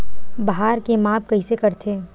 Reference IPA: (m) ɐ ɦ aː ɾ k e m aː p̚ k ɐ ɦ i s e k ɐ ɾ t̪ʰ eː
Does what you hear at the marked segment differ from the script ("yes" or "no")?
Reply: yes